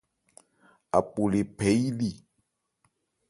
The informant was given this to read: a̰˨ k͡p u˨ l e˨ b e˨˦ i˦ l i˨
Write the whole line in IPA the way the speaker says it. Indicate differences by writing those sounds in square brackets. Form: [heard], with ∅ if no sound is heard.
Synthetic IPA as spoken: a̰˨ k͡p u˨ l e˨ [p] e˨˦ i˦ l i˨